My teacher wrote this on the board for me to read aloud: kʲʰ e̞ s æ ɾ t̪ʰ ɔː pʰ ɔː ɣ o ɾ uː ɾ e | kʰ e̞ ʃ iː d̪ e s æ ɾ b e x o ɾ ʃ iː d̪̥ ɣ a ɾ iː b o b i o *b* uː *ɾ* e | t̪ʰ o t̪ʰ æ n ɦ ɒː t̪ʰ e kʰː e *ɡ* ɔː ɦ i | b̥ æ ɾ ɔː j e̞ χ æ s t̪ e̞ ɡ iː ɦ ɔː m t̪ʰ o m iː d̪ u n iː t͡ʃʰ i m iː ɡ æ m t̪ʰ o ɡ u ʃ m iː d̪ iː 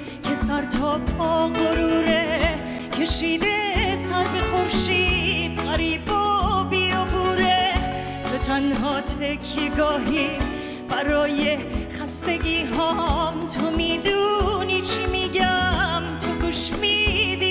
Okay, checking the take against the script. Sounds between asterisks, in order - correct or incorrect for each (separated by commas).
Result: correct, correct, correct